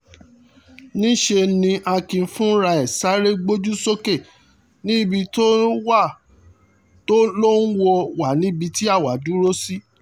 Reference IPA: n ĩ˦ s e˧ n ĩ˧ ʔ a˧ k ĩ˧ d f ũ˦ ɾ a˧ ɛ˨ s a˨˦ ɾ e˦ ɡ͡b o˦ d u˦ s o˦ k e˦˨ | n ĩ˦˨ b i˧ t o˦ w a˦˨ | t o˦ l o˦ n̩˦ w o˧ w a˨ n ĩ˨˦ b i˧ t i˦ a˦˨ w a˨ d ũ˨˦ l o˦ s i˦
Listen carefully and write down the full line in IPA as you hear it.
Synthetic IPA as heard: n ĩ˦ ʃ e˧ n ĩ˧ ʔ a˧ k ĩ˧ f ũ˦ ɾ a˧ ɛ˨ s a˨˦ ɾ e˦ ɡ͡b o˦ d͡ʒ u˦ s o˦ k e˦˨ | n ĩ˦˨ b i˧ t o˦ w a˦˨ | t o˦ l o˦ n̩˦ w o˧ w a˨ n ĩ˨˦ b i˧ t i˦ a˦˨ w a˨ d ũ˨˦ ɾ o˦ s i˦

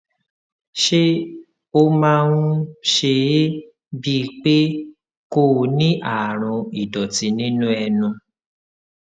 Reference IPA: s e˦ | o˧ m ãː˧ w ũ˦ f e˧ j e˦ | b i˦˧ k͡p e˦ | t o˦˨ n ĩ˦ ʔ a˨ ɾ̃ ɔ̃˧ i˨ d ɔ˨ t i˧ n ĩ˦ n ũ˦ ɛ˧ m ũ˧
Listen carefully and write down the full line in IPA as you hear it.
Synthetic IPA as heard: ʃ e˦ | o˧ m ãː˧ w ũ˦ ʃ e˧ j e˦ | b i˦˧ k͡p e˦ | k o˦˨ n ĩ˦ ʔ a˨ ɾ̃ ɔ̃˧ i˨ d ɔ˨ t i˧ n ĩ˦ n ũ˦ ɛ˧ n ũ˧

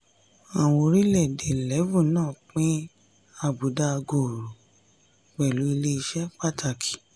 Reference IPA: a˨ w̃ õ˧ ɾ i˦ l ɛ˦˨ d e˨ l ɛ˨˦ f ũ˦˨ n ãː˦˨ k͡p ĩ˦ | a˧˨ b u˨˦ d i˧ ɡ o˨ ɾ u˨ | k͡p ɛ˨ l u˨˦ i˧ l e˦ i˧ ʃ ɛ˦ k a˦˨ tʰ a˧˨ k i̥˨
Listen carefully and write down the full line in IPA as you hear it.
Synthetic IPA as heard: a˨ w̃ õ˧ ɾ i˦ l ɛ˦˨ d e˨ l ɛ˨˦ v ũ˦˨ n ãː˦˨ k͡p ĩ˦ | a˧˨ b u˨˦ d a˧ ɡ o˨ ɾ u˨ | k͡p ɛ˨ l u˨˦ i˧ l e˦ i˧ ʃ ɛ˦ k͡p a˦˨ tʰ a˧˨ k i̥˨

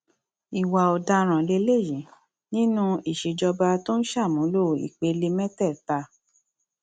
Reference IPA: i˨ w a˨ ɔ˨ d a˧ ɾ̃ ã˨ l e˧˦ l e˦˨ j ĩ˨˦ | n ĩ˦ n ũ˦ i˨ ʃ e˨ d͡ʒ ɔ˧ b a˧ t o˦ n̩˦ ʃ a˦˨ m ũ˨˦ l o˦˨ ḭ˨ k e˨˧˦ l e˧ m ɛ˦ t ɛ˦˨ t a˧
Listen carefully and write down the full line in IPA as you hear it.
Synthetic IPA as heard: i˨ w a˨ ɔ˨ d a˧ ɾ̃ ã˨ l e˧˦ l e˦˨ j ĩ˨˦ | n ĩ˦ n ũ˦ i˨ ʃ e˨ d͡ʒ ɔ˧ b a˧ t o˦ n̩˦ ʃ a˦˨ m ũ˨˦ l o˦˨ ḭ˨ k͡p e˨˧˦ l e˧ m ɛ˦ t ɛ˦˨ t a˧

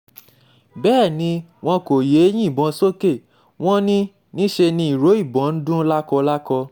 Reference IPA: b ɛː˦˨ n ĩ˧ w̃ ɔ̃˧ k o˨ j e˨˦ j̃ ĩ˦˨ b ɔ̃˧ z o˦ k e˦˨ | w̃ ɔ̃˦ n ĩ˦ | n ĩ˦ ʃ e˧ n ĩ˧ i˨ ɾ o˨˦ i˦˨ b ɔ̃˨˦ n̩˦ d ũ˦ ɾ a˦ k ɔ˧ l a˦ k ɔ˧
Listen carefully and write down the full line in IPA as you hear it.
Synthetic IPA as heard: b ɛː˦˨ n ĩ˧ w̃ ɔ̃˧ k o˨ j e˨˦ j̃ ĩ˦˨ b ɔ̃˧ s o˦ k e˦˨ | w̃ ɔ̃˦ n ĩ˦ | n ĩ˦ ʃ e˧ n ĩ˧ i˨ ɾ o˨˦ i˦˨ b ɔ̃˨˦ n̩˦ d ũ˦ l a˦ k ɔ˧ l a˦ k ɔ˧

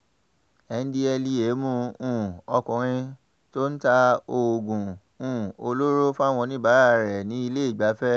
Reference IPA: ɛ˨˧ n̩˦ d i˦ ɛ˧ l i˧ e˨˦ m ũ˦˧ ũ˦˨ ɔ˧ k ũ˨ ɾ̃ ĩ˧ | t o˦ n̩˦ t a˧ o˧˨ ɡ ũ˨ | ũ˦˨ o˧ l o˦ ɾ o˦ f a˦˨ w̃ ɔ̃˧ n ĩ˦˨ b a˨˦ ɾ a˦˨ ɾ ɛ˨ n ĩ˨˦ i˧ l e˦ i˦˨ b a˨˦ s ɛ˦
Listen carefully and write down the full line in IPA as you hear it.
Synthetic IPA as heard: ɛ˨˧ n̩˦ d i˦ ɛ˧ l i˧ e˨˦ m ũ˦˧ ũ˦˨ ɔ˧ k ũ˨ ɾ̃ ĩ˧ | t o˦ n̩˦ t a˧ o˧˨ ɡ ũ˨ | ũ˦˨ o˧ l o˦ ɾ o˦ f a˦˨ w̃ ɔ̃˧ n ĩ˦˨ b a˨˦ ɾ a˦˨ ɾ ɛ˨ n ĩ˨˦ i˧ l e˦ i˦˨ ɡ͡b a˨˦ f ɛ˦

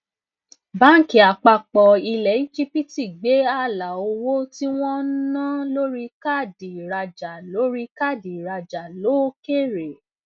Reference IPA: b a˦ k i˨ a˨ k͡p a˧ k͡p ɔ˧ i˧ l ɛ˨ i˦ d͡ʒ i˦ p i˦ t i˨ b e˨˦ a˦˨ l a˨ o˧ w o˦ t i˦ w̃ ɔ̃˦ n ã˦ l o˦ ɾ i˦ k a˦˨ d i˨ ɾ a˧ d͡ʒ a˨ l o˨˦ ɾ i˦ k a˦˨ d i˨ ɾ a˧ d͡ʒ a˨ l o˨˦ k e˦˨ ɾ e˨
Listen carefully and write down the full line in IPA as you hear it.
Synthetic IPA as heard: b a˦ k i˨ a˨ k͡p a˧ k͡p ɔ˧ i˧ l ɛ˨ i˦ d͡ʒ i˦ p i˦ t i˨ ɡ͡b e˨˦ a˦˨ l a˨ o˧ w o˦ t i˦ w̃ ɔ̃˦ n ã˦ l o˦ ɾ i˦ k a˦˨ d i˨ ɾ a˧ d͡ʒ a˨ l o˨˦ ɾ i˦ k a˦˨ d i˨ ɾ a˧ d͡ʒ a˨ l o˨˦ k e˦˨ ɾ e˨

